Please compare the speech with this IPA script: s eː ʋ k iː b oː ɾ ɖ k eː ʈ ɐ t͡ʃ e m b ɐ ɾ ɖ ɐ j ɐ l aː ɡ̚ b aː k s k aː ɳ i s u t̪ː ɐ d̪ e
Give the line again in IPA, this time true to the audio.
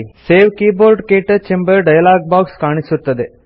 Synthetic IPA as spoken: s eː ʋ k iː b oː ɾ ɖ k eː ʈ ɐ t͡ʃ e m b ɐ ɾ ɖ ɐ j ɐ l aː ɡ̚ b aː k s k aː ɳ i s u t̪ː ɐ d̪ e